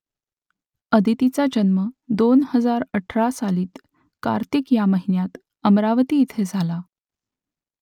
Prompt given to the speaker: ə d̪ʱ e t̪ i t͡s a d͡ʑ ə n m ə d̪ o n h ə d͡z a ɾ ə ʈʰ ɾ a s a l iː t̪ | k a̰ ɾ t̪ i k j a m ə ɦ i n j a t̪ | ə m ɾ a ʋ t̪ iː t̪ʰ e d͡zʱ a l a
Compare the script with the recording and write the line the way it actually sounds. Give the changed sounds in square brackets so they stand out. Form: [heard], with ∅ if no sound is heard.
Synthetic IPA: ə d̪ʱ [i] t̪ i t͡s a d͡ʑ ə n m ə d̪ o n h ə d͡z a ɾ ə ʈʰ ɾ a s a l iː t̪ | k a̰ ɾ t̪ i k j a m ə ɦ i n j a t̪ | ə m ɾ a ʋ t̪ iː t̪ʰ e d͡zʱ a l a